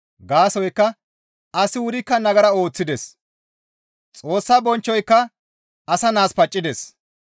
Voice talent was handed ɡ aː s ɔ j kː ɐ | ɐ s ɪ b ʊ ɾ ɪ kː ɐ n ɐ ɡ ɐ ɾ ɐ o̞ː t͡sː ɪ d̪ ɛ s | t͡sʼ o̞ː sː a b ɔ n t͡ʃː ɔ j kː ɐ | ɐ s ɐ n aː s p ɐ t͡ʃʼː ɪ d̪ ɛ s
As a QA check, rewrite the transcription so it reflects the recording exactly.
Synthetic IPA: ɡ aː s ɔ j kː ɐ | ɐ s ɪ w ʊ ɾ ɪ kː ɐ n ɐ ɡ ɐ ɾ ɐ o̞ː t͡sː ɪ d̪ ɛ s | t͡sʼ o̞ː sː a b ɔ n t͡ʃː ɔ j kː ɐ | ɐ s ɐ n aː s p ɐ t͡ʃʼː ɪ d̪ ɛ s